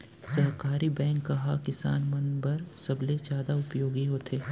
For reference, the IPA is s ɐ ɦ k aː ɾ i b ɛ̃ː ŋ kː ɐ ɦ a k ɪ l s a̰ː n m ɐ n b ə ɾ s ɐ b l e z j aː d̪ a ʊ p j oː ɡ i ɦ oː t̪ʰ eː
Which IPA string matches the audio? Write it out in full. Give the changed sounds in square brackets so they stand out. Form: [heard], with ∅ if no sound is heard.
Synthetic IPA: s ɐ ɦ k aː ɾ i b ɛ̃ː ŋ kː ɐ ɦ a k ɪ [∅] s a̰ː n m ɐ n b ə ɾ s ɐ b l e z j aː d̪ a ʊ p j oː ɡ i ɦ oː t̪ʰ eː

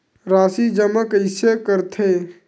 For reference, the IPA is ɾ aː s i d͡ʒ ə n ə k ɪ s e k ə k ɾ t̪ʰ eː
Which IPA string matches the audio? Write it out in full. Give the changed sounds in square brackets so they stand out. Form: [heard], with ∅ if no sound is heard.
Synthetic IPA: ɾ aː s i d͡ʒ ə [m] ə k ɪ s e k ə [∅] ɾ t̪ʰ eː

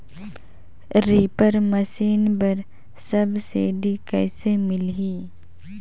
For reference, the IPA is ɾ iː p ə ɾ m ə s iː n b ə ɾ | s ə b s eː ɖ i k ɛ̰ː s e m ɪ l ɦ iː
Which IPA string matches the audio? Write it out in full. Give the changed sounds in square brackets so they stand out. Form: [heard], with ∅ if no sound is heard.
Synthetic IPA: ɾ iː p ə ɾ m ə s iː n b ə ɾ | s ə b s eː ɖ i k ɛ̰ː s e m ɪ l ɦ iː

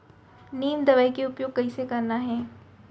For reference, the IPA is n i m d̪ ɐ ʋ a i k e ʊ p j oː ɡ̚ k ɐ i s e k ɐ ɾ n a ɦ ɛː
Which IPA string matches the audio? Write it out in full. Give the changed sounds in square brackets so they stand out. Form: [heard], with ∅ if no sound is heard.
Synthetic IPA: n [iː] m d̪ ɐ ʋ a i k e ʊ p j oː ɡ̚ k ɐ i s e k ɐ ɾ n a ɦ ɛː

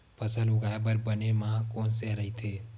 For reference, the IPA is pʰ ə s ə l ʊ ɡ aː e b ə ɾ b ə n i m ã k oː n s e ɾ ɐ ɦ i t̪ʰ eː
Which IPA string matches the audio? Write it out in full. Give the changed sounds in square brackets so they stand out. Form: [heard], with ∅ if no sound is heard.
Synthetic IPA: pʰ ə s ə l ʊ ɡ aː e b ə ɾ b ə n [e] m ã k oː n s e ɾ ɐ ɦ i t̪ʰ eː

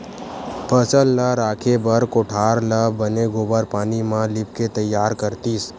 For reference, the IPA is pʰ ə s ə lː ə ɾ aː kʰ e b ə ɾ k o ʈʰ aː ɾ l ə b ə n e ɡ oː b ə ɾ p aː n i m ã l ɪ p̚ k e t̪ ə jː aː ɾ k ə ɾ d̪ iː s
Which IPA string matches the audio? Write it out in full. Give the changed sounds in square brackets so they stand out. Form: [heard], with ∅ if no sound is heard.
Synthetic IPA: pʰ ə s ə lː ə ɾ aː kʰ e b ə ɾ k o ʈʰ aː ɾ l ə b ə n e ɡ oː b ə ɾ p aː n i m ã l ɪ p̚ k e t̪ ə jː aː ɾ k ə ɾ [t̪] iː s

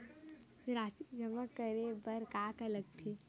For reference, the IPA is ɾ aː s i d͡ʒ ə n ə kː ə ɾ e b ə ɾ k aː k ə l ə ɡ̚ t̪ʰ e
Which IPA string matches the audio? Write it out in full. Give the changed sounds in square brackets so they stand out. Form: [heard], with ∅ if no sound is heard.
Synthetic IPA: ɾ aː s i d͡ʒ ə [m] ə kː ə ɾ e b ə ɾ k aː k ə l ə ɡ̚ t̪ʰ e

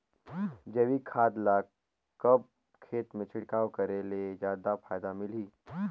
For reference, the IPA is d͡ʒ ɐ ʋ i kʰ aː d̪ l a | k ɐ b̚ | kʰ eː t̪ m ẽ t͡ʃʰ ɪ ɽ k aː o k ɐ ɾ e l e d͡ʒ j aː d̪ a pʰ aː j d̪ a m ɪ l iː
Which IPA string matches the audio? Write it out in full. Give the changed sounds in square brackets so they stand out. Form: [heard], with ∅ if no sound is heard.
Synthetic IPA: d͡ʒ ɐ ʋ i kʰ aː d̪ l a | k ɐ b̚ | kʰ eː t̪ m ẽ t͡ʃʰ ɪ ɽ k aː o k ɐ ɾ e l e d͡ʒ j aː d̪ a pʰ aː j d̪ a m ɪ l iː

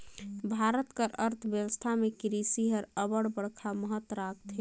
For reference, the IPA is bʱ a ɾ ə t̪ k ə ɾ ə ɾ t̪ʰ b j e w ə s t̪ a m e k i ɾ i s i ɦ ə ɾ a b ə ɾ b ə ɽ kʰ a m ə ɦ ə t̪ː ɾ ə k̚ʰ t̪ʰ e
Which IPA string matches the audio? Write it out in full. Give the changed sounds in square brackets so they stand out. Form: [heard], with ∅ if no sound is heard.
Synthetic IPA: bʱ a ɾ ə t̪ k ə ɾ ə ɾ t̪ʰ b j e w ə s [t̪ʰ] a m e k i ɾ i s i ɦ ə ɾ [ə] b ə [ɽ] b ə ɽ kʰ a m ə ɦ ə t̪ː ɾ [a] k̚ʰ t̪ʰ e

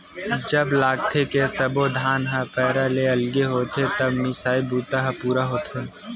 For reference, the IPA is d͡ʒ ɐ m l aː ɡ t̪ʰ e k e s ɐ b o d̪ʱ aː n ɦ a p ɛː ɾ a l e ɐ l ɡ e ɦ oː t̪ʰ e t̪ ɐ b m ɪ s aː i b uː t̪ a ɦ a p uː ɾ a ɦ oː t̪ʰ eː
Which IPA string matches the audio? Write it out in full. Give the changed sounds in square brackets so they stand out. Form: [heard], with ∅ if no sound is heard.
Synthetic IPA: d͡ʒ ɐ [b] l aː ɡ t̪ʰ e k e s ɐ b o d̪ʱ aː n ɦ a p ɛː ɾ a l e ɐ l ɡ e ɦ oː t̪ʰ e t̪ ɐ b m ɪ s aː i b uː t̪ a ɦ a p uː ɾ a ɦ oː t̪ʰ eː

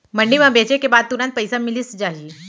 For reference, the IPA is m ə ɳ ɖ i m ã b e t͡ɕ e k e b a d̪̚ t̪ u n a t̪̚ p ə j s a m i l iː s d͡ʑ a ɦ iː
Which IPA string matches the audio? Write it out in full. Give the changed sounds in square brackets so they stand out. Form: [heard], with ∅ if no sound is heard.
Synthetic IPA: m ə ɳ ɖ i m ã b e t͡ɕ e k e b a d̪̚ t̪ u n a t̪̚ p ə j s a m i l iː s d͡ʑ a ɦ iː

